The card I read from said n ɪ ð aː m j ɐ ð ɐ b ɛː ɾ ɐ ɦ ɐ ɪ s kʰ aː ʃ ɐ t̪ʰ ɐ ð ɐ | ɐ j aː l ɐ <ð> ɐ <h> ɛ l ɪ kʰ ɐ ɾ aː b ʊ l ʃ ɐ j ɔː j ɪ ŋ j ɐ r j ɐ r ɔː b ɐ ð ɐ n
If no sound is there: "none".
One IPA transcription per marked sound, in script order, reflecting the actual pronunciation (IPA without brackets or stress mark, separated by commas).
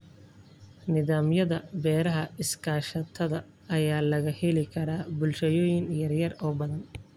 ɣ, h